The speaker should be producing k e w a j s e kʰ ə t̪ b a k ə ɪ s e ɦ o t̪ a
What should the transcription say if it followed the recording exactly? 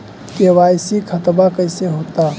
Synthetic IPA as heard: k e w a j s i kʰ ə t̪ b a k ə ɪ s e ɦ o t̪ a